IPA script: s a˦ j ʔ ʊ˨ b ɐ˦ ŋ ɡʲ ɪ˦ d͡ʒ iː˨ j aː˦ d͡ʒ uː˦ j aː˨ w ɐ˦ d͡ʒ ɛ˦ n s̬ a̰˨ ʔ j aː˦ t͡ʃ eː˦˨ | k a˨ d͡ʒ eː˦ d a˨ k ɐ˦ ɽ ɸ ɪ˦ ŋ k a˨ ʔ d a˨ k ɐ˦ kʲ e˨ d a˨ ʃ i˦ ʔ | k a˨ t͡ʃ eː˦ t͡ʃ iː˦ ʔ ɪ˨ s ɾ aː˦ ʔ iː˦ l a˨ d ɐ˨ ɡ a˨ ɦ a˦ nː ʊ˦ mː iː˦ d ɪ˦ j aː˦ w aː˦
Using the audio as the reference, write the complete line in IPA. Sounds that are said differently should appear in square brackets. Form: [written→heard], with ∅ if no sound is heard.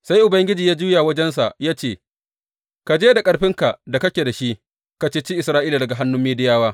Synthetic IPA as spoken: s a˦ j ʔ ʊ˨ b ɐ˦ ŋ ɡʲ ɪ˦ d͡ʒ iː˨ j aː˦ d͡ʒ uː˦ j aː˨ w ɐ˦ d͡ʒ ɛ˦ n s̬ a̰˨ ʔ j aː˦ t͡ʃ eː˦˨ | k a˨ d͡ʒ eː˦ d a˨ [k→kʼ] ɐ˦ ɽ ɸ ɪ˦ ŋ k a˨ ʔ d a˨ k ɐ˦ kʲ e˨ d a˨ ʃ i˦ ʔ | k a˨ t͡ʃ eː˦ t͡ʃ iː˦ ʔ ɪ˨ s ɾ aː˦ ʔ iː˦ l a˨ d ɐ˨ ɡ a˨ ɦ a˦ nː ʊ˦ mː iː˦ d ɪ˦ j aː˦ w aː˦